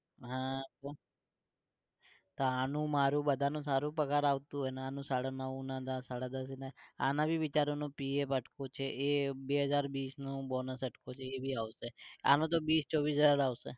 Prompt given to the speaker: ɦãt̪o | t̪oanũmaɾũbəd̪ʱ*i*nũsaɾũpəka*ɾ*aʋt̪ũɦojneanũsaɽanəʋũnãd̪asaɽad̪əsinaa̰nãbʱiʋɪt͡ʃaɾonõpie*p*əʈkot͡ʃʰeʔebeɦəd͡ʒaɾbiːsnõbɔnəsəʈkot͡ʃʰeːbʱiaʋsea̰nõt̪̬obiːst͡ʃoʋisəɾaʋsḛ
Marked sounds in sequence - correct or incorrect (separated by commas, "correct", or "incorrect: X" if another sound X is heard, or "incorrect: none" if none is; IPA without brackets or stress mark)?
incorrect: a, correct, correct